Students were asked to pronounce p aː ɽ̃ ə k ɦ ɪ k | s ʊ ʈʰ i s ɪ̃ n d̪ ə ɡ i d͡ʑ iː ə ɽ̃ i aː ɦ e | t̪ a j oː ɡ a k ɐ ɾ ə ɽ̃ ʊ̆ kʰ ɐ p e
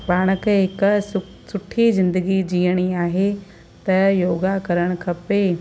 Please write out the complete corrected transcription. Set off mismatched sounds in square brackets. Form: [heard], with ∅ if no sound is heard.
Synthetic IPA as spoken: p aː ɽ̃ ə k ɦ ɪ k | s ʊ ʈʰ i [z] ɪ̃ n d̪ ə ɡ i d͡ʑ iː ə ɽ̃ i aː ɦ e | t̪ [ɐ] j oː ɡ a k ɐ ɾ ə ɽ̃ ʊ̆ kʰ ɐ p e